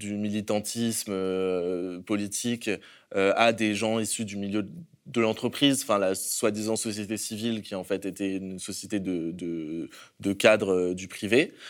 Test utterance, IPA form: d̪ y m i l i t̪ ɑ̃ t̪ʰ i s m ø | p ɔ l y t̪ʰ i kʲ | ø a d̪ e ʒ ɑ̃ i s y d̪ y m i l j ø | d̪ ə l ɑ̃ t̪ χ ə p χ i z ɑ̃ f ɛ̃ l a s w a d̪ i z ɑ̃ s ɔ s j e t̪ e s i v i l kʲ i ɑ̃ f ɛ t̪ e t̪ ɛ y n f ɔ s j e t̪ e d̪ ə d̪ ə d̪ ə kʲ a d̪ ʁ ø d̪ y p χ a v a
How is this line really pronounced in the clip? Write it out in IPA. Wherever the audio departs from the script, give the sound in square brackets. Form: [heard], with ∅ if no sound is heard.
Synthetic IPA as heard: d̪ y m i l i t̪ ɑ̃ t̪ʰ i s m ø | p ɔ l [i] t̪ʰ i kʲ | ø a d̪ e ʒ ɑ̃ i s y d̪ y m i l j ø | d̪ ə l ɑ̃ t̪ χ ə p χ i z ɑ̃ f ɛ̃ l a s w a d̪ i z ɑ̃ s ɔ s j e t̪ e s i v i l kʲ i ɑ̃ f ɛ t̪ e t̪ ɛ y n [s] ɔ s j e t̪ e d̪ ə d̪ ə d̪ ə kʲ a d̪ ʁ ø d̪ y p χ [i] v [e]